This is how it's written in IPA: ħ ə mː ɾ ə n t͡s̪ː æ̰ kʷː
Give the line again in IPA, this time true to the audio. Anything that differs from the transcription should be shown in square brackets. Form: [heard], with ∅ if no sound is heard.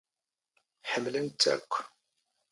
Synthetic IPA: ħ ə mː [l] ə n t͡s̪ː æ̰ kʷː